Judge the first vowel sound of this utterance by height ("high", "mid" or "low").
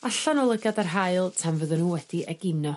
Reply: low